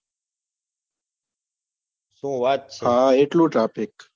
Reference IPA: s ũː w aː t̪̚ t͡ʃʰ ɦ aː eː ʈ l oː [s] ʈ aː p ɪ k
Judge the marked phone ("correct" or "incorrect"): incorrect